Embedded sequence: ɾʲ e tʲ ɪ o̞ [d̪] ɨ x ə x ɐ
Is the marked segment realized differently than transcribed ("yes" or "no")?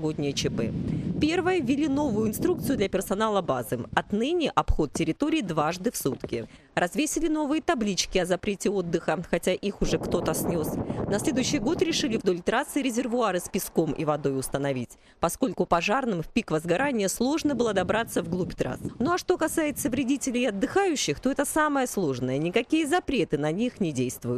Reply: yes